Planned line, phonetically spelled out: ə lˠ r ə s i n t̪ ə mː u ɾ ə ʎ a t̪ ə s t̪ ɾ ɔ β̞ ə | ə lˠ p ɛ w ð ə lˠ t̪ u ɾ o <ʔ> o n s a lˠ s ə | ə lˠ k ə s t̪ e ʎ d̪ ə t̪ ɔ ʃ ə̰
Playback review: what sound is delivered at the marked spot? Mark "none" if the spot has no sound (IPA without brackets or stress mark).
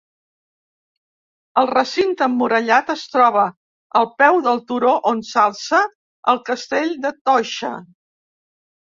ʔ